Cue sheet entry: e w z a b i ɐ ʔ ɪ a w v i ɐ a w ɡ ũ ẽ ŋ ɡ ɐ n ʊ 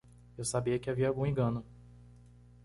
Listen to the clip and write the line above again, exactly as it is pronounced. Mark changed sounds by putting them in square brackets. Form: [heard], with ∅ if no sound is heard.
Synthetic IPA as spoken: e w [s] a b i ɐ [k] ɪ a [∅] v i ɐ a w ɡ ũ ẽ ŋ ɡ [ɐ̃] n ʊ